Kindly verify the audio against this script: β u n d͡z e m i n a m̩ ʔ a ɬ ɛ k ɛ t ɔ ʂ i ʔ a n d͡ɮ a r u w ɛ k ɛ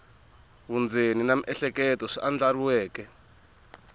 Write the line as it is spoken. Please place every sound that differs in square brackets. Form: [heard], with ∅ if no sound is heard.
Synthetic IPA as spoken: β u n d͡z e [n] i n a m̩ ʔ [ɛ] ɬ ɛ k ɛ t ɔ ʂ i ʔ a n d͡ɮ a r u w [ɛː] k ɛ